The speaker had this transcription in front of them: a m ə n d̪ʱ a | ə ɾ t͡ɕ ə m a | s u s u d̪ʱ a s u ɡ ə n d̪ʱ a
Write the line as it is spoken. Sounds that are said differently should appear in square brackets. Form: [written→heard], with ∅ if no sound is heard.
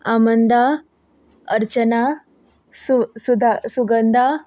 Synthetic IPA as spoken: a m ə n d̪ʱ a | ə ɾ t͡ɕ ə [m→n] a | s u s u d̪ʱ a s u ɡ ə n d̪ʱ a